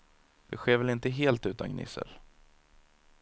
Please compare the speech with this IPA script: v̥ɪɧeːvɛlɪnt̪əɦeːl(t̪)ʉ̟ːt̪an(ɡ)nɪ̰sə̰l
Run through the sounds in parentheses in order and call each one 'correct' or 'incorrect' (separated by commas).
correct, correct